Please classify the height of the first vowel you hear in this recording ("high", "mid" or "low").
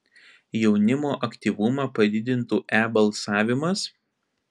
mid